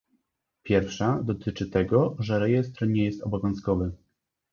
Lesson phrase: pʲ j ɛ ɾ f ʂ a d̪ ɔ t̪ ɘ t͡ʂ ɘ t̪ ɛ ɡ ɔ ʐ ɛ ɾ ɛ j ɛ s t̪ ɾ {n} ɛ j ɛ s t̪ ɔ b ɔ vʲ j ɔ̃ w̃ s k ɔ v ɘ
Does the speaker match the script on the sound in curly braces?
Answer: no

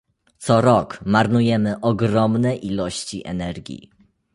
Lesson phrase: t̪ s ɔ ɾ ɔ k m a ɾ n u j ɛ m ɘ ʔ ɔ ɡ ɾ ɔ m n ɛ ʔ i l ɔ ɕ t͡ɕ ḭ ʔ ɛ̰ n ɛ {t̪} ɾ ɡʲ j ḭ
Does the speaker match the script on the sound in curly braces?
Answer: no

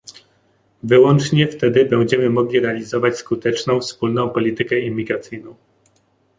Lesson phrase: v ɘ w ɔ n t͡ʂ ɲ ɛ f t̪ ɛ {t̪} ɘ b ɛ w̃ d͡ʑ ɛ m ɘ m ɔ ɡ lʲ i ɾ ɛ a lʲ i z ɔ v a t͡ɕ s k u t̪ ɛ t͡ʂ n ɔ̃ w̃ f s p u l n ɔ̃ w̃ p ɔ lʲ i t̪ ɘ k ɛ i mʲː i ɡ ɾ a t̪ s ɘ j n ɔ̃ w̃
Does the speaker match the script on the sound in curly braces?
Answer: no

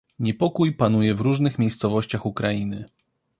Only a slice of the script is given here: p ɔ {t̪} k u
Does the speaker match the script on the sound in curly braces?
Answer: no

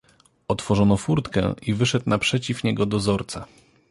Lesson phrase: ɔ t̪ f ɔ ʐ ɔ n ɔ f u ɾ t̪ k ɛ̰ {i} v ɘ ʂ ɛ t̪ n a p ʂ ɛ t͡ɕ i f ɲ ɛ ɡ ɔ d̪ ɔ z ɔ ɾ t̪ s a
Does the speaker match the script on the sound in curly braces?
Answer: yes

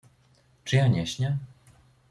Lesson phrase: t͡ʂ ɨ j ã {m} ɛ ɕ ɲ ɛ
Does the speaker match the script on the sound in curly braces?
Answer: no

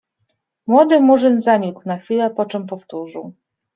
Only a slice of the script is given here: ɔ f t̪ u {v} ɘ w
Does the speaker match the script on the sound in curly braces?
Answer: no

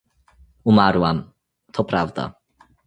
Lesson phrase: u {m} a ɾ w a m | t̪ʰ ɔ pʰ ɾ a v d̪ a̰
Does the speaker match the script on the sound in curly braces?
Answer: yes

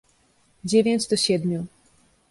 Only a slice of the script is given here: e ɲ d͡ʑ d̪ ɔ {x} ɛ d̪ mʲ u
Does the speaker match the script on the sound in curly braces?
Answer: no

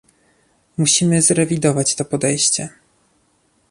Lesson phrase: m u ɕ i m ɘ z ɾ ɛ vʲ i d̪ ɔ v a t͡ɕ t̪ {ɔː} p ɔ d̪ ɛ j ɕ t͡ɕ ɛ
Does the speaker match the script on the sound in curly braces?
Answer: no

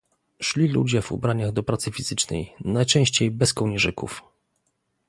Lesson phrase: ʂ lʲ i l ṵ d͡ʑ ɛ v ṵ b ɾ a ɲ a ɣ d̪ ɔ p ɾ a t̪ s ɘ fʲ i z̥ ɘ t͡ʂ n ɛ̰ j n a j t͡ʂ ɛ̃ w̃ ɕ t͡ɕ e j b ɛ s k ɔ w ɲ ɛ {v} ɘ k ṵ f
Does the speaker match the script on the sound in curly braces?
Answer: no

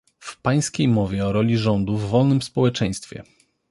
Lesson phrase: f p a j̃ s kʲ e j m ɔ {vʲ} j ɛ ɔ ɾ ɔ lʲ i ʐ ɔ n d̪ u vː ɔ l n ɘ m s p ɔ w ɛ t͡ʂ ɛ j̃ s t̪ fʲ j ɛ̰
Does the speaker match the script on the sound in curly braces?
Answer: yes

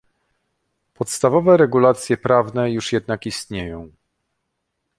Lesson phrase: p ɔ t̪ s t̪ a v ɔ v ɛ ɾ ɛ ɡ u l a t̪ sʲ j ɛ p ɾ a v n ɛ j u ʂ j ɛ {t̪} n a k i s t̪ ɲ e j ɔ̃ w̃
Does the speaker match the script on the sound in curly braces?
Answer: no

